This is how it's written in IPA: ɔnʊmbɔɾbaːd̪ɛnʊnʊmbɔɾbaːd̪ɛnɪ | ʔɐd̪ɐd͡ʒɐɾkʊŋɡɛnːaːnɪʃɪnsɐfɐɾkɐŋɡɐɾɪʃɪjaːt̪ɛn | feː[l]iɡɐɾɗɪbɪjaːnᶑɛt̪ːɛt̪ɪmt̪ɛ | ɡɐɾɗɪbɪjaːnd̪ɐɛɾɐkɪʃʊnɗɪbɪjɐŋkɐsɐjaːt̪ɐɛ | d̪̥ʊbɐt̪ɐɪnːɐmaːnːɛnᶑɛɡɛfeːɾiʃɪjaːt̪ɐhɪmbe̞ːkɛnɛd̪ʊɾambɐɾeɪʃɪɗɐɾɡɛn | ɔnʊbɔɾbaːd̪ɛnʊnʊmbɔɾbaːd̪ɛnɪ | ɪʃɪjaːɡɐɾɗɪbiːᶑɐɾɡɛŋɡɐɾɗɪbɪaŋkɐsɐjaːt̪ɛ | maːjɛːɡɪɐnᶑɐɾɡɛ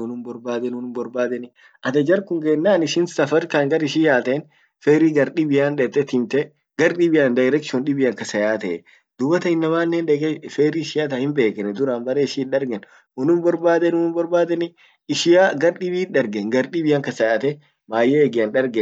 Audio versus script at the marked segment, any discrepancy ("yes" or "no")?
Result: yes